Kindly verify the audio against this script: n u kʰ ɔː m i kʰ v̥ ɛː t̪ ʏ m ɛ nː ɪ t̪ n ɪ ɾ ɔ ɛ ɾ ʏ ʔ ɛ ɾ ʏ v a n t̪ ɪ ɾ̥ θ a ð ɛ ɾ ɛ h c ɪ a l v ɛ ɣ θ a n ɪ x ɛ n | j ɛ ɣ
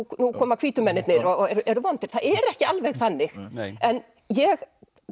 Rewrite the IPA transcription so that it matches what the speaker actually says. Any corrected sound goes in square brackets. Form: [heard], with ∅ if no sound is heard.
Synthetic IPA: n u kʰ ɔː m [a] kʰ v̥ [iː] t̪ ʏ m ɛ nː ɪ t̪ n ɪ ɾ ɔ ɛ ɾ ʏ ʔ ɛ ɾ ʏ v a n t̪ ɪ ɾ̥ θ a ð ɛ ɾ ɛ h c ɪ a l v ɛ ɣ θ a [nː] ɪ x ɛ n | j ɛ ɣ